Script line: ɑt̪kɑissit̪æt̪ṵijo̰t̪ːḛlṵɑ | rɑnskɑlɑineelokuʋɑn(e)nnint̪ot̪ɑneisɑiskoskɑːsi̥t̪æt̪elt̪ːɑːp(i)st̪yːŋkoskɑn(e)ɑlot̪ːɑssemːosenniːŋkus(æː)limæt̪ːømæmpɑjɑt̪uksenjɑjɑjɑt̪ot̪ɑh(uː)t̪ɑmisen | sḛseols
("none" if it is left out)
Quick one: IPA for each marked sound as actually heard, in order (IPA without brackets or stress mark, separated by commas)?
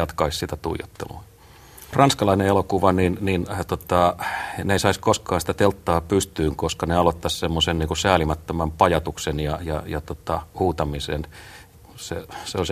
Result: i, y, e, æː, uː